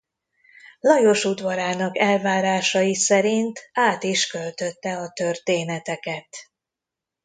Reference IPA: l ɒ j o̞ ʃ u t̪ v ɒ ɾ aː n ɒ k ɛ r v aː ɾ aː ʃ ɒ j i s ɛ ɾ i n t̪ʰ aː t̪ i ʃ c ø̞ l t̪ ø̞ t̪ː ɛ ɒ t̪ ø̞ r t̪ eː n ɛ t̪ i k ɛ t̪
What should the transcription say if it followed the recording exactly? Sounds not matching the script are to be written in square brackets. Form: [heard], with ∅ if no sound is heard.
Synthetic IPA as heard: l ɒ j o̞ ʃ u [d̪] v ɒ ɾ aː n ɒ k ɛ [l] v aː ɾ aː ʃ ɒ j i s ɛ ɾ i n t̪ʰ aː t̪ i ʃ [k] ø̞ l t̪ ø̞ t̪ː ɛ ɒ t̪ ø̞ r t̪ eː n ɛ t̪ [ɛ] k ɛ t̪